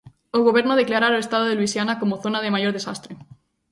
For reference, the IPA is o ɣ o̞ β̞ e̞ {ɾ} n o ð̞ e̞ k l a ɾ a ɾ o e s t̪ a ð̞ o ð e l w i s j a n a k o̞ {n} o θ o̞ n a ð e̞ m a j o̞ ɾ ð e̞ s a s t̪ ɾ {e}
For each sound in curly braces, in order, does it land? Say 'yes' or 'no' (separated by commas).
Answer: yes, no, yes